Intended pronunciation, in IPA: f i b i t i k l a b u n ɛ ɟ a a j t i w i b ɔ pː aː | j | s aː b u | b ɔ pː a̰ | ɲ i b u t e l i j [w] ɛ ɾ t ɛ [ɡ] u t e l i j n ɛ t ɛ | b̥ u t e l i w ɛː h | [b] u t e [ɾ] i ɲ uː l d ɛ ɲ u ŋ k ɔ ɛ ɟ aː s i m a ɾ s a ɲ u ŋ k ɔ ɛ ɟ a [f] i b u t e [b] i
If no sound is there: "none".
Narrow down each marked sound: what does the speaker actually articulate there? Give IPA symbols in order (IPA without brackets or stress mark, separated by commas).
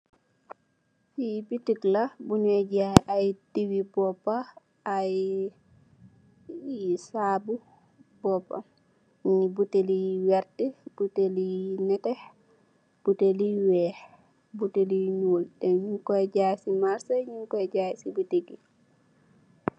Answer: w, b, b, l, s, ɡ